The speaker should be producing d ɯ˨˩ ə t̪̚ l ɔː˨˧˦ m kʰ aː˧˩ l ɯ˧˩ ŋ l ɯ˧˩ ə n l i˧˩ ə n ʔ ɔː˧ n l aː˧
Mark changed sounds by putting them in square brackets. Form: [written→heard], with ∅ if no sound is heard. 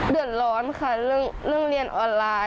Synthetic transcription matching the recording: d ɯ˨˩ ə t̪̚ l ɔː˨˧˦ [m→n] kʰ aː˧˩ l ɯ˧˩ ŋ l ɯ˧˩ ə [n→ŋ] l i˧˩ ə n ʔ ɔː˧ n l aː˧